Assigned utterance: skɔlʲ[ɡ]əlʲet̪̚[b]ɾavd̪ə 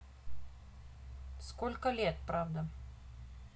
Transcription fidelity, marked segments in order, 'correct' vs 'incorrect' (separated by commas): incorrect, incorrect